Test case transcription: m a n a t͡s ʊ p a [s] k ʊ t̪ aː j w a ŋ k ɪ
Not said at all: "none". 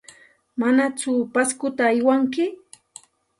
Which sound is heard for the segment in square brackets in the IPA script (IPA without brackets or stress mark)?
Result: s